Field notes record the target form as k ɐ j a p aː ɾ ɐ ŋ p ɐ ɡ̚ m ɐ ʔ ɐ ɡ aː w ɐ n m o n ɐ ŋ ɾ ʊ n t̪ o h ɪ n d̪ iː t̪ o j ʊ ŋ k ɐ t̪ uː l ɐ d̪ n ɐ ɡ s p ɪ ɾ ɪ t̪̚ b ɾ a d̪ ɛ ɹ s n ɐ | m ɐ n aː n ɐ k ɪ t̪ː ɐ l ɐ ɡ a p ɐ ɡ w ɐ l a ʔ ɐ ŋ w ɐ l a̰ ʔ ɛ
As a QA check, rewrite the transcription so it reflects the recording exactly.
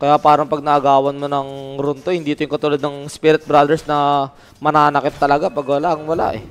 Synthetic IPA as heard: k ɐ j a p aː ɾ ɐ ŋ p ɐ ɡ̚ n ɐ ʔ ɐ ɡ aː w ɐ n m o n ɐ ŋ ɾ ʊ n t̪ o h ɪ n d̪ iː t̪ o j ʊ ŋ k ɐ t̪ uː l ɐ d̪ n ɐ ŋ s p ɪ ɾ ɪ t̪̚ b ɾ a d̪ ɛ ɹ s n ɐ | m ɐ n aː n ɐ k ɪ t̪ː ɐ l ɐ ɡ a p ɐ ɡ w ɐ l a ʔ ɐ ŋ w ɐ l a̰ ʔ ɛ